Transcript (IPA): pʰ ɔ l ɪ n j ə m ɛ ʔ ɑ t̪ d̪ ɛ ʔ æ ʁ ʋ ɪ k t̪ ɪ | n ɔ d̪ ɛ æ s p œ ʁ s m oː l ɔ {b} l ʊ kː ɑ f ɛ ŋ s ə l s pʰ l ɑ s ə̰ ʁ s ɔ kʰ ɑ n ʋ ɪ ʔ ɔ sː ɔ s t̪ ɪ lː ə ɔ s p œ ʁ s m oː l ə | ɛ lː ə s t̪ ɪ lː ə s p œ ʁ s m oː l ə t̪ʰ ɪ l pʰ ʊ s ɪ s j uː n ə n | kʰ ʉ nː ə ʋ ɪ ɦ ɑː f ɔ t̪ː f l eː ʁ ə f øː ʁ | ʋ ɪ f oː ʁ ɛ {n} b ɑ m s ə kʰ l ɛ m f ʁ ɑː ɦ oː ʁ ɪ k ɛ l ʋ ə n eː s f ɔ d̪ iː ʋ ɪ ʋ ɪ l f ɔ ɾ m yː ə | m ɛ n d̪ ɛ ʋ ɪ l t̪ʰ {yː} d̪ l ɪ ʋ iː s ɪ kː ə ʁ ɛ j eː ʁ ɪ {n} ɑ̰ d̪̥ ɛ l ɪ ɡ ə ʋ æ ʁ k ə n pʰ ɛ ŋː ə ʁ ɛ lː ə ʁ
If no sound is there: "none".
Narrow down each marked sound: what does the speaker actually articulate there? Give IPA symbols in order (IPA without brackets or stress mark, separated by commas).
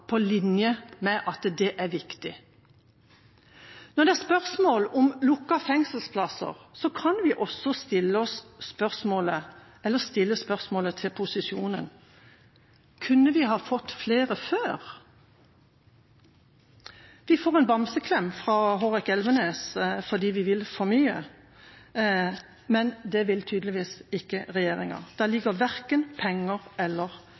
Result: m, n, yː, ŋ